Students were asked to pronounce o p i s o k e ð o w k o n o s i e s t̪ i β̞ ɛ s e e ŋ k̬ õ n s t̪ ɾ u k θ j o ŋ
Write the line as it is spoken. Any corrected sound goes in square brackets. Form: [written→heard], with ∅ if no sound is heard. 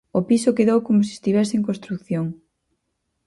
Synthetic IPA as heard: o p i s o k e ð o w k o [n→m] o s i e s t̪ i β̞ ɛ s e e ŋ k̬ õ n s t̪ ɾ u k θ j o ŋ

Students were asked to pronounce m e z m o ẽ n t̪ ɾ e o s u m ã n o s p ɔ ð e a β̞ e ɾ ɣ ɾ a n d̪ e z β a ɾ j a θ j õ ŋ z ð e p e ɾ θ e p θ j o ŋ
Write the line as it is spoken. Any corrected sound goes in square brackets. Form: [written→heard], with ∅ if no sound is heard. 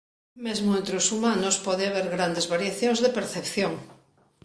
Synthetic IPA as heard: m e z m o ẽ n t̪ ɾ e o s u m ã n o s p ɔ ð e a β̞ e ɾ ɣ ɾ a n d̪ e z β a ɾ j a θ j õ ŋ z ð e p e ɾ θ e p θ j o ŋ

